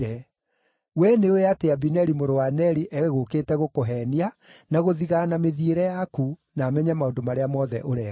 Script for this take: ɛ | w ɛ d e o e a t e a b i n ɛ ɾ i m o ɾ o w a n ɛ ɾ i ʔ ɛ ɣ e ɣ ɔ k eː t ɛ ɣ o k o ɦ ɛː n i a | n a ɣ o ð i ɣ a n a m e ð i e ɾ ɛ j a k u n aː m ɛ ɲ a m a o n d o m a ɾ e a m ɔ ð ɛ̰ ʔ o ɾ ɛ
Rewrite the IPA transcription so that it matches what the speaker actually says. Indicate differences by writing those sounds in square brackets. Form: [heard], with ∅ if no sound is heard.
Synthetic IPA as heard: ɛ | w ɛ [n] e o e a t e a b i n ɛ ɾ i m o ɾ o w a n ɛ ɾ i ʔ ɛ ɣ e ɣ [o] k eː t ɛ ɣ o k o ɦ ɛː n i a | n a ɣ o ð i ɣ a n a m e ð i e ɾ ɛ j a k u n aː m ɛ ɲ a m a o n d o m a ɾ e a m ɔ ð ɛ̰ ʔ o ɾ ɛ

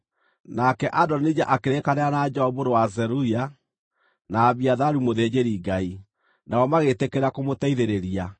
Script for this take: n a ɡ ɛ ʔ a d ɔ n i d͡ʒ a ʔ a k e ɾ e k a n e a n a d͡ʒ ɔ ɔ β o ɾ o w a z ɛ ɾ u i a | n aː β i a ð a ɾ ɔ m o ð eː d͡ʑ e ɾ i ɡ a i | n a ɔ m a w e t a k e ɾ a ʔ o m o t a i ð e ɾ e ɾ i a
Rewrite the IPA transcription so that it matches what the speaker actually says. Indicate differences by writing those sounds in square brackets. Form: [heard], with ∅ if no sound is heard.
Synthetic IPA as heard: n a [k] ɛ ʔ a d ɔ n i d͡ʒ a ʔ a k e ɾ e k a n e a n a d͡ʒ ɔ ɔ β o ɾ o w a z ɛ ɾ u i a | n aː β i a ð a ɾ [u] m o ð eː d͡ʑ e ɾ i ɡ a i | n a ɔ m a [ɣ] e t [e] k e ɾ a [k] o m o t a i ð e ɾ e ɾ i a

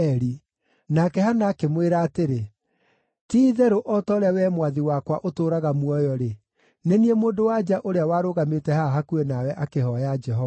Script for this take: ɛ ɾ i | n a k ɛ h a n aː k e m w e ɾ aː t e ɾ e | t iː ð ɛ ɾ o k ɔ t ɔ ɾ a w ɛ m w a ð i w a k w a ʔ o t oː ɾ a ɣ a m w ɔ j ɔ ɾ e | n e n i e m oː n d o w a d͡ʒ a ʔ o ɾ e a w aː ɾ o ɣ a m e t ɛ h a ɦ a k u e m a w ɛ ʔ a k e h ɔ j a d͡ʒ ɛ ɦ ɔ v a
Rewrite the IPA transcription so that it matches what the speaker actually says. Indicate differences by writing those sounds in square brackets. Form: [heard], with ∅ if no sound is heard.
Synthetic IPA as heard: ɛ ɾ i | n a k ɛ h a n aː k e m w e ɾ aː t e ɾ e | t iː ð ɛ ɾ o [ʔ] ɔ t ɔ ɾ a w ɛ m w a ð i w a k w a ʔ o t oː ɾ a ɣ a m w ɔ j ɔ ɾ e | n e n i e m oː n d o w a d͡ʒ a ʔ o ɾ e a w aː ɾ o ɣ a m e t ɛ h a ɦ a k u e [n] a w ɛ ʔ a k e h ɔ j a d͡ʒ ɛ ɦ ɔ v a

